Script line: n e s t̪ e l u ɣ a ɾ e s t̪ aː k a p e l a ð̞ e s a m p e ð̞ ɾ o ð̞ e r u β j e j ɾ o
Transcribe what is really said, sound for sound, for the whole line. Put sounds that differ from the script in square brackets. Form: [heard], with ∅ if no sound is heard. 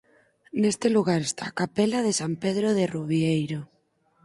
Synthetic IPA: n e s t̪ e l u ɣ a ɾ e s t̪ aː k a p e l a ð̞ e s a m p e ð̞ ɾ o ð̞ e r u β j e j ɾ o